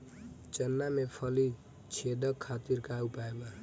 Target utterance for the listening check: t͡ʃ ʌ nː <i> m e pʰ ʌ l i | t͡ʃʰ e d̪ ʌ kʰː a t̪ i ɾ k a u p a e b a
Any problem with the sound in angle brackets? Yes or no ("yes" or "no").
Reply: yes